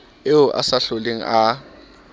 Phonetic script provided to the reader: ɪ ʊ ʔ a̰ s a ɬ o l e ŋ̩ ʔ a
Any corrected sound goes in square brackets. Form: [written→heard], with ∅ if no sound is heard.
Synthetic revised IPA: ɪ ʊ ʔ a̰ s a ɬ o l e ŋ̩ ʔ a